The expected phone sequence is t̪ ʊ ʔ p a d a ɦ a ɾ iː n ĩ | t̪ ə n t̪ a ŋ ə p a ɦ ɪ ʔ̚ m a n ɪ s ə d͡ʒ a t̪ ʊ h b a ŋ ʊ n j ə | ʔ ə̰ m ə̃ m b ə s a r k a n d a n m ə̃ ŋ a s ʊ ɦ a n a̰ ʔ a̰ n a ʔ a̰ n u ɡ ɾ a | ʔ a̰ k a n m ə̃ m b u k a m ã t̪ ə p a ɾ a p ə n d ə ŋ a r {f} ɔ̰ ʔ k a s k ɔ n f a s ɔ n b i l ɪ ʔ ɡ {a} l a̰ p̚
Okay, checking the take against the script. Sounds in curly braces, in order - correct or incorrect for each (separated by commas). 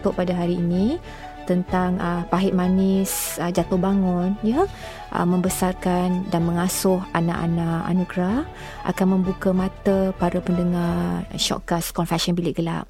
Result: incorrect, incorrect